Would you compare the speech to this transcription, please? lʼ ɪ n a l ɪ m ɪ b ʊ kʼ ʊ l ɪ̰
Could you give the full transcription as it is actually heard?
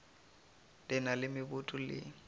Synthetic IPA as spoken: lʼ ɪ n a l ɪ m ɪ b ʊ tʼ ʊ l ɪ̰

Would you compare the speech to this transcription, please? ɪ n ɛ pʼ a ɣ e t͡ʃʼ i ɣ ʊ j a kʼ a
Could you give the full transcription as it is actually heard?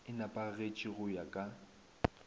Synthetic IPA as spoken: ɪ n a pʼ a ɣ e t͡ʃʼ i ɣ ʊ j a kʼ a

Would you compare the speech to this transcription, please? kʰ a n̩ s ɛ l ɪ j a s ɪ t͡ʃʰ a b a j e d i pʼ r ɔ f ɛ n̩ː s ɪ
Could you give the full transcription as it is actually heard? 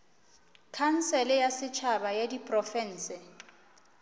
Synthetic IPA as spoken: kʰ a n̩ s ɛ l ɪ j a s ɪ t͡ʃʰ a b a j e d i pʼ r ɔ f ɛ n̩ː s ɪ

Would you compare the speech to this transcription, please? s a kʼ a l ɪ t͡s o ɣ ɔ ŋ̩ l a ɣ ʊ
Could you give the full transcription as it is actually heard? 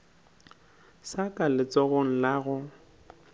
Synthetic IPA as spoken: s a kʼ a l ɪ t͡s ɔ ɣ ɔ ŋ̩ l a ɣ ʊ

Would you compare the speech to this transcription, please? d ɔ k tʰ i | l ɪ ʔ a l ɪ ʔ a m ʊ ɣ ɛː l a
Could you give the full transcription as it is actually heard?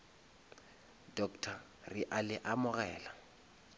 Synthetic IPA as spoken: d ɔ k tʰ a | r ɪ ʔ a l ɪ ʔ a m ʊ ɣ ɛː l a

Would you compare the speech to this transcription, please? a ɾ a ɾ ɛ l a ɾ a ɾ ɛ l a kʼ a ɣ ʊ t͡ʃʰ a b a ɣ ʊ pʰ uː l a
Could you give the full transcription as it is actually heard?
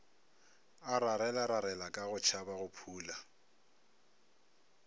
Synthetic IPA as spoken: a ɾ a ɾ ɛ l a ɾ a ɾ ɛ l a kʼ a ɣ ʊ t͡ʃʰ a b a ɣ ʊ pʰ uː l a

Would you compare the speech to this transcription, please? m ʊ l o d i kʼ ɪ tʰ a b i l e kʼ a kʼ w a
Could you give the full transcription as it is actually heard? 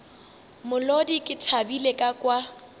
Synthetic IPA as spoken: m ʊ l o d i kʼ ɪ tʰ a b i l e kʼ a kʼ w a

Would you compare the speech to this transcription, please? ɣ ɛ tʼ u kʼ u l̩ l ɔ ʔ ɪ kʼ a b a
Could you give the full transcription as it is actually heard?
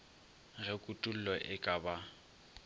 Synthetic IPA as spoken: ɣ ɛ kʼ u tʼ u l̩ l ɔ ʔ ɪ kʼ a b a

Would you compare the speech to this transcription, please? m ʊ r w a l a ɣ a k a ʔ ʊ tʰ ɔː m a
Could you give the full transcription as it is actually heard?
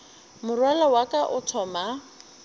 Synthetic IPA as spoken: m ʊ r w a l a w a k a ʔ ʊ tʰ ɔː m a

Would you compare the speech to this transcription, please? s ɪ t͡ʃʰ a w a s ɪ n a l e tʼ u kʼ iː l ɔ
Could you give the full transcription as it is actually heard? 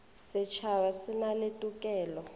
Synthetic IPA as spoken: s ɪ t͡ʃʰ a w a s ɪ n a l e tʼ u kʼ ɛː l ɔ

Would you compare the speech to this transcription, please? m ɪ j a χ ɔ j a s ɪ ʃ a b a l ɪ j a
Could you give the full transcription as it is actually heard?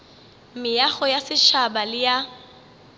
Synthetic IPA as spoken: m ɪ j a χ ɔ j a s ɪ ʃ a b a l ɪ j a

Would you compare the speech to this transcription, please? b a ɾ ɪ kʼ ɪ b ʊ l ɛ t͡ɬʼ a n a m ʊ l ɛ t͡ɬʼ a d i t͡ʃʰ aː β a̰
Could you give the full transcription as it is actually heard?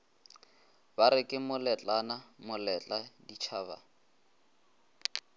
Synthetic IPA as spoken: b a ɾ ɪ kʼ ɪ m ʊ l ɛ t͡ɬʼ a n a m ʊ l ɛ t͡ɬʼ a d i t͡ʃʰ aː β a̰

